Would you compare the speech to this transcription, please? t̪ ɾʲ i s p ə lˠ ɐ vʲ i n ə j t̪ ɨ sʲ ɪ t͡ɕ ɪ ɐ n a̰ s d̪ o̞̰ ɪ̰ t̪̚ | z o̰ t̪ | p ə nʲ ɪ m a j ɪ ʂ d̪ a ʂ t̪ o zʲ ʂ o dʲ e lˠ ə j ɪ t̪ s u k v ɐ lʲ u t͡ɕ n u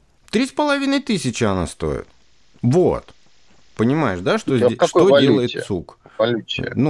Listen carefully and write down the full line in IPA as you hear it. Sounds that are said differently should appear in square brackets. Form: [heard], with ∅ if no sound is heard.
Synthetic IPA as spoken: t̪ ɾʲ i s p ə lˠ ɐ vʲ i n ə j t̪ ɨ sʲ ɪ t͡ɕ ɪ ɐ n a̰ s [t̪] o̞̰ ɪ̰ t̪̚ | [v] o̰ t̪ | p ə nʲ ɪ m a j ɪ ʂ d̪ a ʂ t̪ o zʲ ʂ o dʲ e lˠ ə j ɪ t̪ s u k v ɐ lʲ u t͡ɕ n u